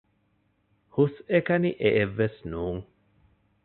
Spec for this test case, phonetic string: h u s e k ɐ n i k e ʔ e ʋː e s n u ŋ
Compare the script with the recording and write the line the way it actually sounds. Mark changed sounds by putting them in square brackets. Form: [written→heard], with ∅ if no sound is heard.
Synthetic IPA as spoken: h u s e k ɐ n i [k→ʔ] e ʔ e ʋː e s n [u→uː] ŋ